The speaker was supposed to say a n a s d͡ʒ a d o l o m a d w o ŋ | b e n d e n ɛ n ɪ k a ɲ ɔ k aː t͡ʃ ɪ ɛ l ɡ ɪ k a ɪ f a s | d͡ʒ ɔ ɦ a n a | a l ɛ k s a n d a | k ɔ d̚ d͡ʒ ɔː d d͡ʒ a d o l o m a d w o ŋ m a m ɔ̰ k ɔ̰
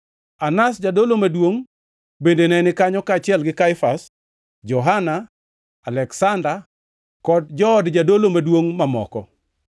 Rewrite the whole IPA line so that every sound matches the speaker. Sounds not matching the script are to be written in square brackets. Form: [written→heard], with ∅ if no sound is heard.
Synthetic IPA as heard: a n a s d͡ʒ a d o l o m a d w o ŋ | b e n d e n ɛ n ɪ k a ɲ ɔ k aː t͡ʃ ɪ ɛ l ɡ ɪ k a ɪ f a s | d͡ʒ ɔ ɦ a n a | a l ɛ k s a n d a | k ɔ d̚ d͡ʒ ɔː d d͡ʒ a d o l o m a d w o ŋ m a m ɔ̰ k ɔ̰